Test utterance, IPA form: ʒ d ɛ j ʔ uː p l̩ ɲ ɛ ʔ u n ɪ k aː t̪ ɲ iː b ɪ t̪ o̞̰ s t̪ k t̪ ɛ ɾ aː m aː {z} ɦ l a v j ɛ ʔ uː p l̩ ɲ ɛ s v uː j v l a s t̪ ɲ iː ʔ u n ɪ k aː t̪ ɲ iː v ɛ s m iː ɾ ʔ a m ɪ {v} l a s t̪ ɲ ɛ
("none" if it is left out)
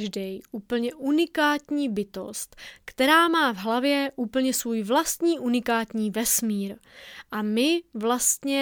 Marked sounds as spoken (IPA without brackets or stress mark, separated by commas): v, v